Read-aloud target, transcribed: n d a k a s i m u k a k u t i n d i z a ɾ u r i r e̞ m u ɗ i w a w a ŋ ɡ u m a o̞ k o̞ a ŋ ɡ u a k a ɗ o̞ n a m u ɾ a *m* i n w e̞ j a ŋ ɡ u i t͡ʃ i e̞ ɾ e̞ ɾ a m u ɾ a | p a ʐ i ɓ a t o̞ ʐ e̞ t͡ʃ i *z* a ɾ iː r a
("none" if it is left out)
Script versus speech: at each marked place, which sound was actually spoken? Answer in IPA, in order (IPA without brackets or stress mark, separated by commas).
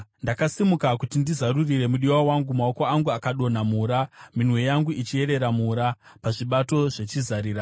m, z